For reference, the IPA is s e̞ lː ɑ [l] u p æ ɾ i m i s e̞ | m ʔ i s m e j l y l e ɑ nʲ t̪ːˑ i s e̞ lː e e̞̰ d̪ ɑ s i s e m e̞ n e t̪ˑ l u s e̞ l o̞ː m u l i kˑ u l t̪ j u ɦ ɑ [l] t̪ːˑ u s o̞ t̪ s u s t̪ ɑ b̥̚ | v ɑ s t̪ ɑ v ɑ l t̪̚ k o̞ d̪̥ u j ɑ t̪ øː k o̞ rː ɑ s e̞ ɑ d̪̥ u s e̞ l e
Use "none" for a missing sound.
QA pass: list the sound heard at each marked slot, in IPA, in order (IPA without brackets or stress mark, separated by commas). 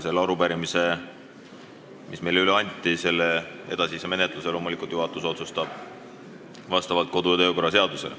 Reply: ɾ, none